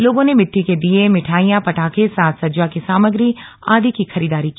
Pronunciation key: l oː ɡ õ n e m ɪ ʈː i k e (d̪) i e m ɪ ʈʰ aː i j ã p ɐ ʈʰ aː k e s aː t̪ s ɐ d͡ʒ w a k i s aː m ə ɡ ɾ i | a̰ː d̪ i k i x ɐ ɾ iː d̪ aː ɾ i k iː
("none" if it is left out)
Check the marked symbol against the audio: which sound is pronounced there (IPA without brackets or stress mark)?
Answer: d̪